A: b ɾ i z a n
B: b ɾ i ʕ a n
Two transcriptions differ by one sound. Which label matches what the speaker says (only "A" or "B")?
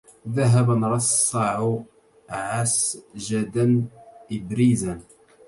A